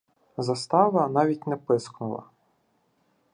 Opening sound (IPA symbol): z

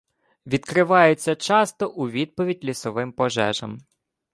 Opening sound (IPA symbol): ʋʲ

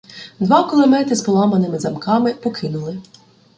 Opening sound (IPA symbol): d̪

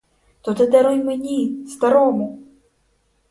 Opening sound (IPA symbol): t̪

